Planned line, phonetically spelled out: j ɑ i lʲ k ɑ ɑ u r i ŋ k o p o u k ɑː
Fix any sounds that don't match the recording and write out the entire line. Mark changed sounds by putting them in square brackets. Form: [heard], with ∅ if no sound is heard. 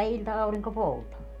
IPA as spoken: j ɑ i lʲ [t] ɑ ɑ u r i ŋ k o p o u [t] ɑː